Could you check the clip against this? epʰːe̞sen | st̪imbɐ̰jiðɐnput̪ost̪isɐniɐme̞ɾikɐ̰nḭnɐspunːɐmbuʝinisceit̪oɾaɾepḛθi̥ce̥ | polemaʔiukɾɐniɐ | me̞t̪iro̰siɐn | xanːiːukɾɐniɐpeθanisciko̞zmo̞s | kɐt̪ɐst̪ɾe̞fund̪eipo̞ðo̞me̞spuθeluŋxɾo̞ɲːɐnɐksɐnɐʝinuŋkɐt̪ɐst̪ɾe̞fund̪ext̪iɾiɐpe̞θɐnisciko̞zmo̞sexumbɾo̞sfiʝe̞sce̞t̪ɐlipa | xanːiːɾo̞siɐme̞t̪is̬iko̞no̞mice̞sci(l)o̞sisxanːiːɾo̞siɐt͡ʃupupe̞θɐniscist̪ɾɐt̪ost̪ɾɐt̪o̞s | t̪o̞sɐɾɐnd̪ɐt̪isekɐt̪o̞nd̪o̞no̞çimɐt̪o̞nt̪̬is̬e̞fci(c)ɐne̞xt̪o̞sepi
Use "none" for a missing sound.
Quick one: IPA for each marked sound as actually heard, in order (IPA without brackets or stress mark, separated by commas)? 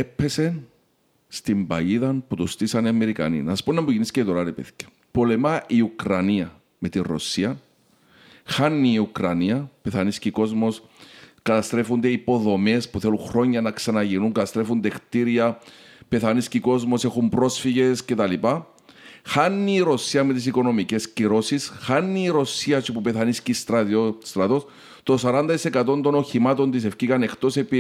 ɾ, k